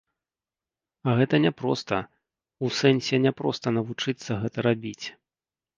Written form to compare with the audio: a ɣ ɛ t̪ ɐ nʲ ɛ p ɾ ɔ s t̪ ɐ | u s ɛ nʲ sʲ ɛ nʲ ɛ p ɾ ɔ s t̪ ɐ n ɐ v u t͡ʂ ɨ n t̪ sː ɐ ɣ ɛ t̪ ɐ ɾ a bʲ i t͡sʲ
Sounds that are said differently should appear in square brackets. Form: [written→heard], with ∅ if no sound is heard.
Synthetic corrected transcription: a ɣ ɛ t̪ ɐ nʲ ɛ p ɾ ɔ s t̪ ɐ | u s ɛ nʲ sʲ ɛ nʲ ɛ p ɾ ɔ s t̪ ɐ n ɐ v u t͡ʂ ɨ [n→∅] t̪ sː ɐ ɣ ɛ t̪ ɐ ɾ a bʲ i t͡sʲ